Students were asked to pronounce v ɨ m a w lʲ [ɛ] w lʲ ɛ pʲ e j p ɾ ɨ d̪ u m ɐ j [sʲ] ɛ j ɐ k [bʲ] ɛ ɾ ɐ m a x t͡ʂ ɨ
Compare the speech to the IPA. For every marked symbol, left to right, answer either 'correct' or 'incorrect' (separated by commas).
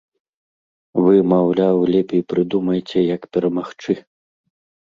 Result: incorrect, incorrect, incorrect